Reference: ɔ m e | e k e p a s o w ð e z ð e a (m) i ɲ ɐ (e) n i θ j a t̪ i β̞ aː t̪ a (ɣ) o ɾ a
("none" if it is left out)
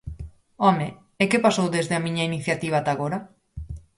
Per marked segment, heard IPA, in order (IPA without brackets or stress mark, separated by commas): m, i, ɣ